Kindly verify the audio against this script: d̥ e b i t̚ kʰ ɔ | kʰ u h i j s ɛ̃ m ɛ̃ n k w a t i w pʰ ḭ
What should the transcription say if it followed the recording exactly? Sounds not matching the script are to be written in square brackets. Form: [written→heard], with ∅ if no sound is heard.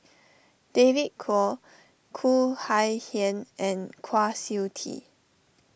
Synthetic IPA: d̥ e [b→v] i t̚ kʰ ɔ | kʰ u h [i→a] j [s→h] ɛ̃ [m→n] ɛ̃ n [k→kʰ] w a [t→s] i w [pʰ→tʰ] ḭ